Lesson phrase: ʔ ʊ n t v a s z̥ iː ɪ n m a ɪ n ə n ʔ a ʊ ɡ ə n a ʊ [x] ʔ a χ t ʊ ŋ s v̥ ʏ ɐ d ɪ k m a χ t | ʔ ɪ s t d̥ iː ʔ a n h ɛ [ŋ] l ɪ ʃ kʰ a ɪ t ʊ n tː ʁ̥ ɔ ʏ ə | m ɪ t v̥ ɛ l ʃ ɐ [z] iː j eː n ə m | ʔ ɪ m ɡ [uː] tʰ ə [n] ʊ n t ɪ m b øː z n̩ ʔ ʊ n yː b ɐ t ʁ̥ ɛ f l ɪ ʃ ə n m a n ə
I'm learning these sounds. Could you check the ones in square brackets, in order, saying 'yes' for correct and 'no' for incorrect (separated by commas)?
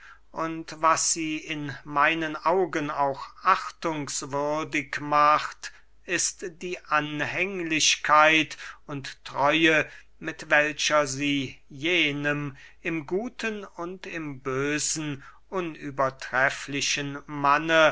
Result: yes, yes, yes, yes, yes